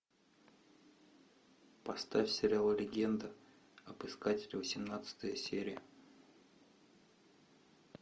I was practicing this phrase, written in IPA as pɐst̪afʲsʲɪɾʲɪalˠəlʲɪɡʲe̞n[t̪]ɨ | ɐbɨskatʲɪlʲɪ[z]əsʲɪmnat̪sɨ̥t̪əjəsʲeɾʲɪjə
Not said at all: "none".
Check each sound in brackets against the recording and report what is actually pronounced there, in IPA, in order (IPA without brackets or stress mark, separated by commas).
d̪, v